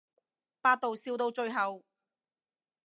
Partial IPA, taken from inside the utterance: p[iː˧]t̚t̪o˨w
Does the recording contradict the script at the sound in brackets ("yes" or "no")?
yes